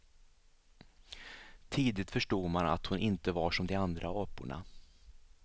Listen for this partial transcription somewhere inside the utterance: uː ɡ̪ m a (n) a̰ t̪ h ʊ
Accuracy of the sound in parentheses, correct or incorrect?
correct